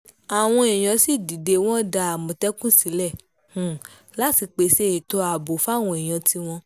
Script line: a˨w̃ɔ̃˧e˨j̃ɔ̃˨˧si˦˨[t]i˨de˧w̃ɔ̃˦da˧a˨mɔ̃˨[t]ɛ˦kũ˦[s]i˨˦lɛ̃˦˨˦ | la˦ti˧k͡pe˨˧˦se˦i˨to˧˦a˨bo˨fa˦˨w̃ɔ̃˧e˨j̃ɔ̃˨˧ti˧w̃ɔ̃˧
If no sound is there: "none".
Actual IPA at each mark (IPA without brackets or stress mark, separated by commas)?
d, t, s